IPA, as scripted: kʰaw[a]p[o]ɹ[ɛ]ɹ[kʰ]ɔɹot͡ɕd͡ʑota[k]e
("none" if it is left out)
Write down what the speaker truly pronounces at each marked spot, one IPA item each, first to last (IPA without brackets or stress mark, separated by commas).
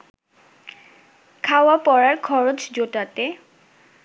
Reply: a, ɔ, a, kʰ, t